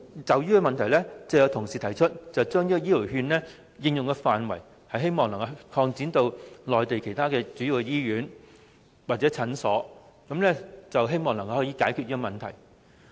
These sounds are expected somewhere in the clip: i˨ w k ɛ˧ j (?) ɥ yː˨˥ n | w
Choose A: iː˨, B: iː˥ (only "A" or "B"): B